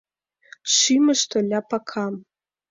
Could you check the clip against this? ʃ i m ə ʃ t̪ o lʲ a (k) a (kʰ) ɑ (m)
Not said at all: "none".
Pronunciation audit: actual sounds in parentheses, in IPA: p, kʰ, m

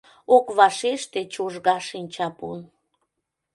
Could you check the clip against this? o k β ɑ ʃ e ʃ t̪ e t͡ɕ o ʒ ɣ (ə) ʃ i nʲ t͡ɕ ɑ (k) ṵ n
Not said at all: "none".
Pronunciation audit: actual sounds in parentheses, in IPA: ɑ, p

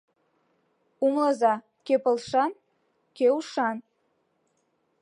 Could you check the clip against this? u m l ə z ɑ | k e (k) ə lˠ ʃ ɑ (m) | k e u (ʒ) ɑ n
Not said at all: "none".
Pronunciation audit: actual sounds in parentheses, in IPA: p, n, ʃ

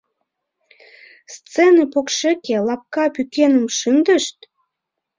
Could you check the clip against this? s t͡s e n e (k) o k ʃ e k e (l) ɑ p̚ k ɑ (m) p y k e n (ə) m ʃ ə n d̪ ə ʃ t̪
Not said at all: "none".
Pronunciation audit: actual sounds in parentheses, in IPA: p, l, none, ə

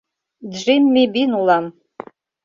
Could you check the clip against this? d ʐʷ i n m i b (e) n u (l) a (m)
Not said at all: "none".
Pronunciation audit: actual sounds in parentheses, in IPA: i, l, m

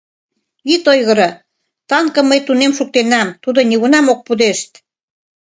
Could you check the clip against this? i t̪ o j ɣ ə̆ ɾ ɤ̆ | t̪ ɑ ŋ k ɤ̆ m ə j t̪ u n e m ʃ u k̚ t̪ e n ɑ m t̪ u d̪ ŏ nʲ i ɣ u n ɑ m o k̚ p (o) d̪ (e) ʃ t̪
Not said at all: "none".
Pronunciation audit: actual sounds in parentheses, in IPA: u, e

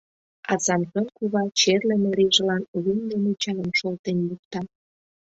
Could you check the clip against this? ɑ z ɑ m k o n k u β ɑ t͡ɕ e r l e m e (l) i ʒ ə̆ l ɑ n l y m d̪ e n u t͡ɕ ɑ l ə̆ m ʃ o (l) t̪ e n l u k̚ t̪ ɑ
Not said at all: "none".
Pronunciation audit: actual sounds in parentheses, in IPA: ɾ, l

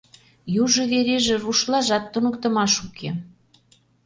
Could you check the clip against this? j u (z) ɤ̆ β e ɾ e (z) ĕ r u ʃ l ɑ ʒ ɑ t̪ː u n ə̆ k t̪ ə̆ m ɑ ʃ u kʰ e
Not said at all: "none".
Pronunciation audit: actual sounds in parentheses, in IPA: ʒ, ʒ

